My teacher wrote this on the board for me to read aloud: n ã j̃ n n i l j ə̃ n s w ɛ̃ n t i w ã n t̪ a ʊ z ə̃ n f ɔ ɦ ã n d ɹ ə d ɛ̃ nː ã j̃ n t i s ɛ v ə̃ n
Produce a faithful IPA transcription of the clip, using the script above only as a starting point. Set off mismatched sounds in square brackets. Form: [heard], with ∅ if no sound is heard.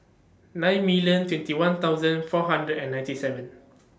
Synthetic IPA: n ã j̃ n [m] i l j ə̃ n [t] w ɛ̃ n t i w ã n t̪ a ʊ z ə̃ n f ɔ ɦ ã n d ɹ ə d ɛ̃ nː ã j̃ n t i s ɛ v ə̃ n

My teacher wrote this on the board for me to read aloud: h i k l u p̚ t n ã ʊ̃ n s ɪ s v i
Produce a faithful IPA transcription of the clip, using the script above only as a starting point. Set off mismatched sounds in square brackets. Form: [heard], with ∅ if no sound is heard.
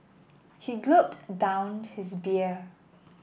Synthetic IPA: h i [ɡ] l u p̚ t [d] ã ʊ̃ n [h] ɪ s [b] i

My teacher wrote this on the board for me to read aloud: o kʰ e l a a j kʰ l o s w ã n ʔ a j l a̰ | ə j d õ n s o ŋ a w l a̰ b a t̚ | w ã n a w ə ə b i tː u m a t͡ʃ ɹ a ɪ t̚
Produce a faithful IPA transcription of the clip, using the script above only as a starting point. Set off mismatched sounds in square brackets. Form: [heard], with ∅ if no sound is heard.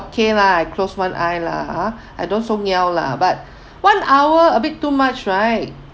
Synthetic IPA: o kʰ e l a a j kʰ l o s w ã n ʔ a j l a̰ | [a] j d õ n s o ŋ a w l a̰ b a t̚ | w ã n a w ə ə b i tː u m a t͡ʃ ɹ a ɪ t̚

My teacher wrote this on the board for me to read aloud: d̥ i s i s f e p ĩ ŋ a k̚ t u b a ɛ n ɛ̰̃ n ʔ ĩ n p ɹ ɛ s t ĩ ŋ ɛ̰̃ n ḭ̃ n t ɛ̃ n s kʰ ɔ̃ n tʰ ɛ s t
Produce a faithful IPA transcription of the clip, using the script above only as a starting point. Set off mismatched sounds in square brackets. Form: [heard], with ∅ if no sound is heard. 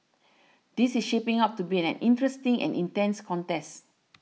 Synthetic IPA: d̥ i s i s [ʃ] e p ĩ ŋ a [p̚] t u b [i] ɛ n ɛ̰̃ n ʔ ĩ n [t] ɹ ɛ s t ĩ ŋ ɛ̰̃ n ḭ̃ n t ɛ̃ n s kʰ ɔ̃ n [t] ɛ s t

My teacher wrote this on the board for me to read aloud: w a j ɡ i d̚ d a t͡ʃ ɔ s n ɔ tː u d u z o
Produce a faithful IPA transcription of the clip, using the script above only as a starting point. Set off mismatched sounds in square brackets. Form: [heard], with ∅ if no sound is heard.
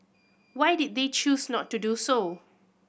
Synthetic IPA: w a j [d] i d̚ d [e] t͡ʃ [u] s n ɔ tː u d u [s] o

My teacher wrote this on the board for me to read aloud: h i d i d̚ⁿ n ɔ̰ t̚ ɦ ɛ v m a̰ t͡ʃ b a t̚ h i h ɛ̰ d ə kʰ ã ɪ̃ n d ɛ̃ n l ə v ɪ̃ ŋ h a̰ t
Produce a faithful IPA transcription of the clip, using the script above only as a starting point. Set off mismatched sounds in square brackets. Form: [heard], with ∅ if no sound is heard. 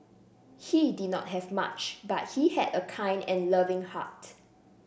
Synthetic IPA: h i d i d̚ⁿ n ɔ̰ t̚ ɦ ɛ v m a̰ t͡ʃ b a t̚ h i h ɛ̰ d ə kʰ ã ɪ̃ n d ɛ̃ n l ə v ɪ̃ ŋ h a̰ t

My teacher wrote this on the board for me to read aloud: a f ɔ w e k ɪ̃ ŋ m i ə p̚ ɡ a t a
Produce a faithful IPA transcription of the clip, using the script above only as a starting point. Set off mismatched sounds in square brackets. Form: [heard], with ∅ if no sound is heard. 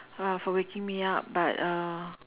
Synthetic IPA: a f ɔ w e k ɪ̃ ŋ m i [a] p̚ [b] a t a

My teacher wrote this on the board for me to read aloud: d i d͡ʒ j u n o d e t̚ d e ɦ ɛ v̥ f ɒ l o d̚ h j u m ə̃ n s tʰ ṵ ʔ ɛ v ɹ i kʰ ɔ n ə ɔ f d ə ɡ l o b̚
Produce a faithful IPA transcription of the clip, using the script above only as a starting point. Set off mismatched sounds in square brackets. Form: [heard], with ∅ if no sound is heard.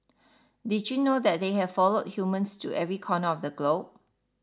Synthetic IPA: d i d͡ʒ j u n o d [ɛ] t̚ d e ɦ ɛ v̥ f [ɔ] l o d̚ h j u m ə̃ n s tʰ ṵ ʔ ɛ v ɹ i kʰ ɔ n ə ɔ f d ə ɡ l o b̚

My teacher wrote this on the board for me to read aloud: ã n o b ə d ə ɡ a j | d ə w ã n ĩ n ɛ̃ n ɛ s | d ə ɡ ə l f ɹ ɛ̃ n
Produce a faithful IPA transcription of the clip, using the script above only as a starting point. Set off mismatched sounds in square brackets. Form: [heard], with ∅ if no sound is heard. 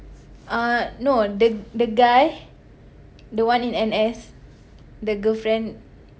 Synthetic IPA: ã n o [d] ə d ə ɡ a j | d ə w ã n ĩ n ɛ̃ n ɛ s | d ə ɡ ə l f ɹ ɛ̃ n

